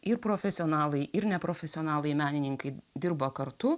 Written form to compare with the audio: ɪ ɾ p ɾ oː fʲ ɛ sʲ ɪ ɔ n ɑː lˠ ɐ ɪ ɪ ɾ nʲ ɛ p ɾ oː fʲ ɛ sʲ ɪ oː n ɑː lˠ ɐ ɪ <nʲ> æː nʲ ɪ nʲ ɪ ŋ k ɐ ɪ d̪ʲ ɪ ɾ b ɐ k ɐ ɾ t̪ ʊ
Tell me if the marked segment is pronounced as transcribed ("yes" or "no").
no